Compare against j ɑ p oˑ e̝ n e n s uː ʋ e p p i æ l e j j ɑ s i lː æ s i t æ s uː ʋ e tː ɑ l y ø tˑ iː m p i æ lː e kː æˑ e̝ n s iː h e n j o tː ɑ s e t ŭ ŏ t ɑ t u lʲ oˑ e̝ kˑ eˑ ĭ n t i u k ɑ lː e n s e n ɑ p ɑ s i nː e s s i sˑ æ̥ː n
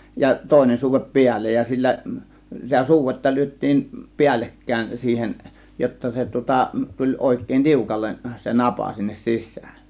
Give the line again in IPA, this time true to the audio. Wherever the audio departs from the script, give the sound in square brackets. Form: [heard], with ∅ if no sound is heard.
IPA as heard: j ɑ [t] oˑ e̝ n e n s uː ʋ e p p i æ [lː] e j j ɑ s i lː æ s i t æ s uː ʋ e tː ɑ l y ø tˑ iː m p i æ lː e kː æˑ e̝ n s iː h e n j o tː ɑ s e t ŭ ŏ t ɑ t u lʲ oˑ e̝ kˑ eˑ ĭ n t i u k ɑ lː e n s e n ɑ p ɑ s i nː e s s i sˑ æ̥ː n